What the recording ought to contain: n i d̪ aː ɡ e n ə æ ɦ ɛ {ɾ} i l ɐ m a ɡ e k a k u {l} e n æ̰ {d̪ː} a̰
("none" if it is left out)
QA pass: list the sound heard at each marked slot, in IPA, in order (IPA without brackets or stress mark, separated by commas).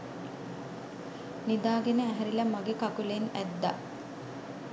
ɾ, l, d̪ː